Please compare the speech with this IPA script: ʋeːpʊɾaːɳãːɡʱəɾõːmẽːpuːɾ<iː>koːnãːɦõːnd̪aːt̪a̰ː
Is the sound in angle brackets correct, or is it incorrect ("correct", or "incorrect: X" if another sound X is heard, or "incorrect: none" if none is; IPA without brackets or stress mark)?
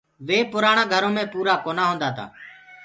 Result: incorrect: aː